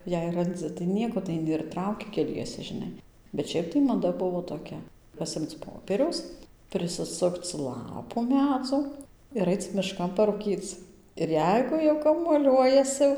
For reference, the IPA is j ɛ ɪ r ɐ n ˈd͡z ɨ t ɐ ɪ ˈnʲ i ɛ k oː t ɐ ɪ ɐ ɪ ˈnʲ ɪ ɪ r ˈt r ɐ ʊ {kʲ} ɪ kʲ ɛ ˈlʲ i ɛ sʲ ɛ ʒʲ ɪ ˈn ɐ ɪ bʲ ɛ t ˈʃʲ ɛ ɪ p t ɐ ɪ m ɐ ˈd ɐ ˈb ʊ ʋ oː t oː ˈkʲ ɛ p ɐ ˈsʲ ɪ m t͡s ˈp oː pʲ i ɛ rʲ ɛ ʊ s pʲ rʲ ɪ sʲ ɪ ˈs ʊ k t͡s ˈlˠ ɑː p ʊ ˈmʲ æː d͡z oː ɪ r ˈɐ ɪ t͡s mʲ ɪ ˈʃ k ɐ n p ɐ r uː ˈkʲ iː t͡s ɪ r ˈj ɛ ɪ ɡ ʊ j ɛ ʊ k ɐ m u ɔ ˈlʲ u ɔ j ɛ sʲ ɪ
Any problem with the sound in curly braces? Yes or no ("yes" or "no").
no